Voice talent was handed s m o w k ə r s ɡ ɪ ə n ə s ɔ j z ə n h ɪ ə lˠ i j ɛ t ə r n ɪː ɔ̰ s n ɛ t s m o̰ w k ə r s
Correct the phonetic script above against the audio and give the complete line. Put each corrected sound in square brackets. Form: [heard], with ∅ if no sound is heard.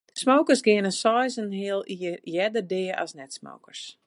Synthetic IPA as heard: s m o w k ə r s ɡ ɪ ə n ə s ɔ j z ə n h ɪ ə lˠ i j ɛ [d] ə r [d] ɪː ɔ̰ s n ɛ t s m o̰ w k ə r s